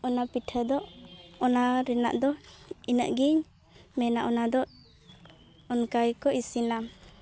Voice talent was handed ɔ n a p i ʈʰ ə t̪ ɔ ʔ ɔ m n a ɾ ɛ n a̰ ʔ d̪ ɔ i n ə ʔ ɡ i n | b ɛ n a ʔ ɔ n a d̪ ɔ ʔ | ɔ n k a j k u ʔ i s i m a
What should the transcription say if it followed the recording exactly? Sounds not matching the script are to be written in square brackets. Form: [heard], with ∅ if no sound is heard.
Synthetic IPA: ɔ n a p i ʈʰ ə [d̪] ɔ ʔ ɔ [∅] n a ɾ ɛ n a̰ ʔ d̪ ɔ i n ə ʔ ɡ i [ɲ] | [m] ɛ n a ʔ ɔ n a d̪ ɔ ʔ | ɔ n k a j k [ɔ] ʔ i s i [n] a